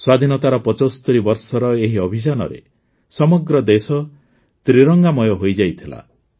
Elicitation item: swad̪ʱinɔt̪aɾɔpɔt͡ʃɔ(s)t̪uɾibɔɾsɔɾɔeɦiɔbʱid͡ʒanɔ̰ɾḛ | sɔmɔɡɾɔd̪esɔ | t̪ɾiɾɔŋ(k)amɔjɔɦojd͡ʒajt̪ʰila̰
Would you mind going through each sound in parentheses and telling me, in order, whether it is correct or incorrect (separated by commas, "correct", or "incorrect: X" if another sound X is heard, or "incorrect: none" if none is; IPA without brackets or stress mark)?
correct, incorrect: ɡ